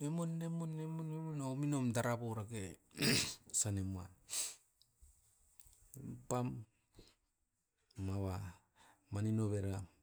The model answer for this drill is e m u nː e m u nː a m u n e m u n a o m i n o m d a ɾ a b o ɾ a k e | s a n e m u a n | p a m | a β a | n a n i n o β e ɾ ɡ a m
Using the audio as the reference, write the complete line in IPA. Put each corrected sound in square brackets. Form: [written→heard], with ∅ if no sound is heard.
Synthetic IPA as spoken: e m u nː e m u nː [a→e] m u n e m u n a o m i n o m d a ɾ a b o ɾ a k e | s a n e m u a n | p a m | a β a | [n→m] a n i n o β e ɾ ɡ a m